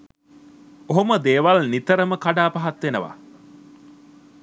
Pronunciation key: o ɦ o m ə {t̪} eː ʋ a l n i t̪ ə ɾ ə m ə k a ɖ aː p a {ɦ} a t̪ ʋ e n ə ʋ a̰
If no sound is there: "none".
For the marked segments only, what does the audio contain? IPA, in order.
d̪, ɦ

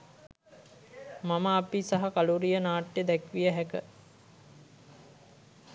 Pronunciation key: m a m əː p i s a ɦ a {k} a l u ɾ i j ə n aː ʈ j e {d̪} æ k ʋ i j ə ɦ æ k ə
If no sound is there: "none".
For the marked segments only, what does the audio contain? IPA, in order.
k, d̪

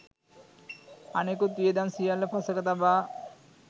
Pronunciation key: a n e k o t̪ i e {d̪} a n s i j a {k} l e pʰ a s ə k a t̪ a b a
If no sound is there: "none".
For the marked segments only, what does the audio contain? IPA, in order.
d̪, none

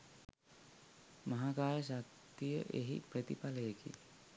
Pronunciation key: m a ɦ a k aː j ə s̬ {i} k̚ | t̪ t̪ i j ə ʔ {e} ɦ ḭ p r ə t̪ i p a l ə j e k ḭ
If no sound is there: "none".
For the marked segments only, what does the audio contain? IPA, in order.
a, e

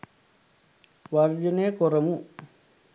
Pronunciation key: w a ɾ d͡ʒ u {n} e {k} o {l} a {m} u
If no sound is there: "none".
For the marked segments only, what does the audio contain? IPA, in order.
n, k, ɾ, m

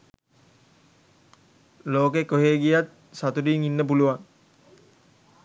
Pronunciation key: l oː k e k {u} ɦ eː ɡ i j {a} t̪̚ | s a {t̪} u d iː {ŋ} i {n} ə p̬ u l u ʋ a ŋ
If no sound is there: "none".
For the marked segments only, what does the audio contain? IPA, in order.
o, a, t̪, ŋ, nː

